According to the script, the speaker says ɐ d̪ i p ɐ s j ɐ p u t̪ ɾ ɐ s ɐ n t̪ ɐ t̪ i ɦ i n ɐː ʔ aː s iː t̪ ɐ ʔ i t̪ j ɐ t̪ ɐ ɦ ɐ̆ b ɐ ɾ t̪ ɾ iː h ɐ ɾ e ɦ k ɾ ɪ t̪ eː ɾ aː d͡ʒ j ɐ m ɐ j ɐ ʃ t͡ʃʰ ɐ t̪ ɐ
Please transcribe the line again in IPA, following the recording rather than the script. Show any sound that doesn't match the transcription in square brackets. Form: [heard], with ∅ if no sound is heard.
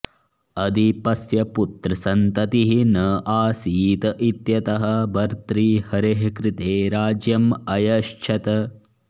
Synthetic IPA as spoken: ɐ d̪ i p ɐ s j ɐ p u t̪ ɾ ɐ s ɐ n t̪ ɐ t̪ i ɦ i n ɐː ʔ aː s iː t̪ ɐ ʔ i t̪ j ɐ t̪ ɐ ɦ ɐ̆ b ɐ ɾ t̪ ɾ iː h ɐ ɾ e ɦ k ɾ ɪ t̪ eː ɾ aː d͡ʒ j ɐ m ɐ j ɐ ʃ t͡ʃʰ ɐ t̪ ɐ